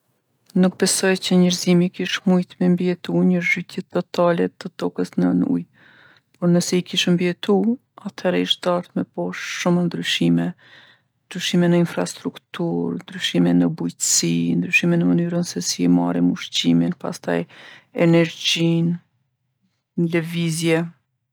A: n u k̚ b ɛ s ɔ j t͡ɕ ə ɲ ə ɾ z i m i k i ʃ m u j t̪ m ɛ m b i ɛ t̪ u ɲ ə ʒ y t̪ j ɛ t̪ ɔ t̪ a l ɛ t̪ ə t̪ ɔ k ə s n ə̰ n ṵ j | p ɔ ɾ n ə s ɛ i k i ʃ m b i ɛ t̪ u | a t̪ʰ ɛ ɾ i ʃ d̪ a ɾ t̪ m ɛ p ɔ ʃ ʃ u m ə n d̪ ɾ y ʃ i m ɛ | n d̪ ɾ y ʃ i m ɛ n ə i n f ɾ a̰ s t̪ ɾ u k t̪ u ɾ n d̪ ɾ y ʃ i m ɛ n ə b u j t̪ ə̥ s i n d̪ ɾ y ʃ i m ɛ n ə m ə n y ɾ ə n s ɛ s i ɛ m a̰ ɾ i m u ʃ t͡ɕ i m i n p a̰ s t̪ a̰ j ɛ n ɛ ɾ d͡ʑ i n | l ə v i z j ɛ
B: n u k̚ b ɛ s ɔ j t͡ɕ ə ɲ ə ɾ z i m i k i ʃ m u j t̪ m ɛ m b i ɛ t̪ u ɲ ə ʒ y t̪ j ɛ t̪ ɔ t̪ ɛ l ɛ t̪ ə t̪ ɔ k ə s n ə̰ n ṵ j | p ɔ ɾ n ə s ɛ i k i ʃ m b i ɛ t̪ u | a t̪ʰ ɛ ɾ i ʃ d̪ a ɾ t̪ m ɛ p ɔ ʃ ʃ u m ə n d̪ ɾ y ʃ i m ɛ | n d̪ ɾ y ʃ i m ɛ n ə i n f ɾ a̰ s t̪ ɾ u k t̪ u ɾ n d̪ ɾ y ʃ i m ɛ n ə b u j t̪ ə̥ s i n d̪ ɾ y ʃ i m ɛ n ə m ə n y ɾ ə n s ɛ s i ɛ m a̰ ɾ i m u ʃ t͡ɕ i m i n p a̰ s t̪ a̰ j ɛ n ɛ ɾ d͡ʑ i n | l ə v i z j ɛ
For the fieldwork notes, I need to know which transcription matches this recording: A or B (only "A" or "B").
A